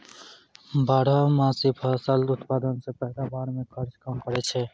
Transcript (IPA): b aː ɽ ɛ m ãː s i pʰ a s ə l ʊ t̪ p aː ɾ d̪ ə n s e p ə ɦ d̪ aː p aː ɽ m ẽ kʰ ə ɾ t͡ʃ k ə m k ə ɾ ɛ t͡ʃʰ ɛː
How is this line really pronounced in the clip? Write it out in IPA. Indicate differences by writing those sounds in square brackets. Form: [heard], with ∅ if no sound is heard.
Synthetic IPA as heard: b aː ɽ [a] m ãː s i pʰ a s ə l ʊ t̪ p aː [∅] d̪ ə n s e p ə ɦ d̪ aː [b] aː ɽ m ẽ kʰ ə ɾ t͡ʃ k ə m k ə ɾ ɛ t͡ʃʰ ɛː